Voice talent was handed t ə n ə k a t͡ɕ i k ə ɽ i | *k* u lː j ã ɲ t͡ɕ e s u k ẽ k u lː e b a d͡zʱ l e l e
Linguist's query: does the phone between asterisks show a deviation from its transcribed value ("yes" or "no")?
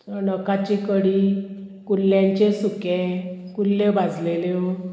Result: no